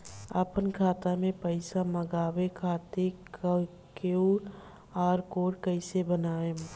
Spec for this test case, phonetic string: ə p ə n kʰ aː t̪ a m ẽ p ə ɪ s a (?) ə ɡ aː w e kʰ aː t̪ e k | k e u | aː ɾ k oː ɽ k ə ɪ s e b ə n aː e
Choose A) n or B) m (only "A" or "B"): B